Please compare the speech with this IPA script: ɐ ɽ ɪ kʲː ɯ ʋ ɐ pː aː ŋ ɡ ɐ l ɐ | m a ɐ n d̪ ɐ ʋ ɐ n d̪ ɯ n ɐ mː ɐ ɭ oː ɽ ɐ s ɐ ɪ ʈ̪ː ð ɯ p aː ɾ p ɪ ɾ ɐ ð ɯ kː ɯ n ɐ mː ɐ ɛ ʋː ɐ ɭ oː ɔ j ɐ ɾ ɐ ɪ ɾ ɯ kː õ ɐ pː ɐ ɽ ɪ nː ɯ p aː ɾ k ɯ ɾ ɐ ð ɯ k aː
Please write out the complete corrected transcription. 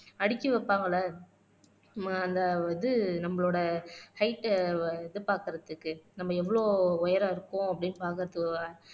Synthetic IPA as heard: ɐ ɽ ɪ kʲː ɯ ʋ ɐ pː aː ŋ ɡ ɐ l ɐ | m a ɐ n d̪ ɐ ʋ ɐ n d̪ ɯ n ɐ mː ɐ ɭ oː ɽ ɐ h ɐ ɪ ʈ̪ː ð ɯ p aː ɾ k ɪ ɾ ɐ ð ɯ kː ɯ n ɐ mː ɐ ɛ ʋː ɐ ɭ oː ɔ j ɐ ɾ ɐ ɪ ɾ ɯ kː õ ɐ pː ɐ ɽ ɪ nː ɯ p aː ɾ k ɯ ɾ ɐ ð ɯ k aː